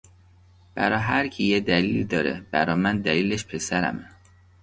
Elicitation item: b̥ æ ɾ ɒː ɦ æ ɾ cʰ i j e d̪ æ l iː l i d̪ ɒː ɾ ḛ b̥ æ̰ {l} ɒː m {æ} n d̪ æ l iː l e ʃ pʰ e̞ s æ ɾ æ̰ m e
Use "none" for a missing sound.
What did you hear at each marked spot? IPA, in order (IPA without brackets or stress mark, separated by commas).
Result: ɾ, æ